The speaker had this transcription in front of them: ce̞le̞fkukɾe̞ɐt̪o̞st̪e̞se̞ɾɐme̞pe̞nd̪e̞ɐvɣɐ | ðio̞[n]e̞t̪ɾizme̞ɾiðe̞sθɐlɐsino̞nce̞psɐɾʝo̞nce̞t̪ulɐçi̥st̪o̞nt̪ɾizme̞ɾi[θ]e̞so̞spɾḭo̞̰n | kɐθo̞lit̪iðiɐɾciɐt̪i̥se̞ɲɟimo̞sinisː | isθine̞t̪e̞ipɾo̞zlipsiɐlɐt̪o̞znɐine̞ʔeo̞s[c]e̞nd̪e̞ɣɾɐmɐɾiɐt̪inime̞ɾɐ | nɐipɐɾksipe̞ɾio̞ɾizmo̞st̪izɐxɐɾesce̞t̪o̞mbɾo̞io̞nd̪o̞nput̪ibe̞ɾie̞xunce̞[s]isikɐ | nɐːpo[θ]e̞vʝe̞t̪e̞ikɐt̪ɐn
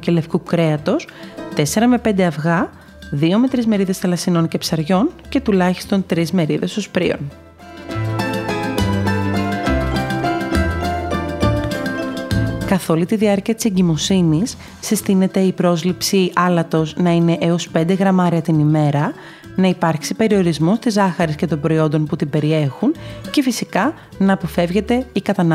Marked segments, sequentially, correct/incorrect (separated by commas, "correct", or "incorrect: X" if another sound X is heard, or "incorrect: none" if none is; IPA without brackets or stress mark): incorrect: m, incorrect: ð, incorrect: p, incorrect: f, incorrect: f